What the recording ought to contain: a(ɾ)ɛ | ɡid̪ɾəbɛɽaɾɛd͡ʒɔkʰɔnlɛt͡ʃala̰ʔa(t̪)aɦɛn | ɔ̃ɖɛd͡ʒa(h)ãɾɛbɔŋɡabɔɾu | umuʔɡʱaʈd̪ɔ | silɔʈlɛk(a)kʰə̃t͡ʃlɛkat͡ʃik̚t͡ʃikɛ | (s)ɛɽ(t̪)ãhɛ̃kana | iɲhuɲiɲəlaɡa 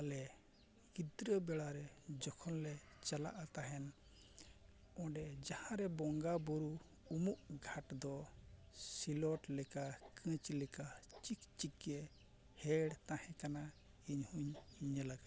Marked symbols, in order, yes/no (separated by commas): no, yes, yes, yes, no, yes